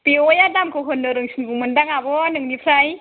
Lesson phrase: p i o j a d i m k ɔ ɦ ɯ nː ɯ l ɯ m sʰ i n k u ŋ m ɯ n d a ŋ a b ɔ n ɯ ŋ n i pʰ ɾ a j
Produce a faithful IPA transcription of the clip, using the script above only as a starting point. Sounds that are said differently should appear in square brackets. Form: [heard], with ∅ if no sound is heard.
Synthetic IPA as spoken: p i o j a d [a] m k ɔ ɦ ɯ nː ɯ [ɾ] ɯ [ŋ] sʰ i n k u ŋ m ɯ n d a ŋ a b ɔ n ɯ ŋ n i pʰ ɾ a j